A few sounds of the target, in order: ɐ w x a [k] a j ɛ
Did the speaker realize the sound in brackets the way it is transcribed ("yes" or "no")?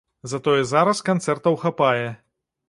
no